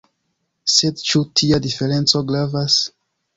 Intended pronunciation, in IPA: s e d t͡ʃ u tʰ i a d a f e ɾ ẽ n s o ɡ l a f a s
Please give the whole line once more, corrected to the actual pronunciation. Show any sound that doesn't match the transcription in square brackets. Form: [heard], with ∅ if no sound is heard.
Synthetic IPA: s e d t͡ʃ u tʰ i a d [i] f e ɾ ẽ n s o ɡ l a [v] a s